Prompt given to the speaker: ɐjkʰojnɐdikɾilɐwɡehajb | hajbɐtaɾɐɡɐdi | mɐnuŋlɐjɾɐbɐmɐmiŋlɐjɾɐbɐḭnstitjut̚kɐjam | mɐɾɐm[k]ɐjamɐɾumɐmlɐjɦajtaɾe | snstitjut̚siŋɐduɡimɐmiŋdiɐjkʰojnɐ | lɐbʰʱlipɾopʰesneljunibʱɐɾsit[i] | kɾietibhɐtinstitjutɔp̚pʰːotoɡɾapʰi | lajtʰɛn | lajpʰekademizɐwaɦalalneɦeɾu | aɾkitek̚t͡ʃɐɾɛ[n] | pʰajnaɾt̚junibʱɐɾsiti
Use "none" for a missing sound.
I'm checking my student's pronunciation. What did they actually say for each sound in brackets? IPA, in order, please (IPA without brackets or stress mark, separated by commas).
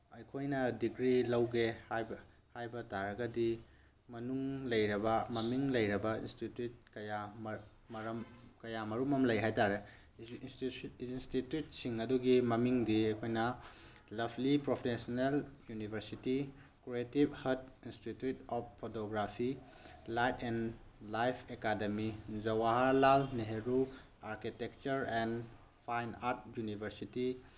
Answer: k, i, n